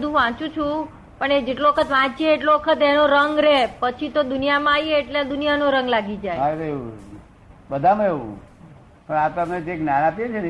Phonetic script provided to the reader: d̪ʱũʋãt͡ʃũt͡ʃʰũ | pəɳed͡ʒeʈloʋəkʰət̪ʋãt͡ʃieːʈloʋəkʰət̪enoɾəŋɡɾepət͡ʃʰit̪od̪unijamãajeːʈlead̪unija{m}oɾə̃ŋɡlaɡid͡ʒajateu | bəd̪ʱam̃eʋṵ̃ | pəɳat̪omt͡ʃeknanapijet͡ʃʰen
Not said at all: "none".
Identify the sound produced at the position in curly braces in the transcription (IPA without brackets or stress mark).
n